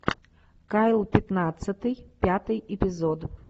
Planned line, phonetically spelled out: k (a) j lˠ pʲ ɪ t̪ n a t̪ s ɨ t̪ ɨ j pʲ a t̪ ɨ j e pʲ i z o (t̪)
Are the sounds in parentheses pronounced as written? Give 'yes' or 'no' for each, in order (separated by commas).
yes, no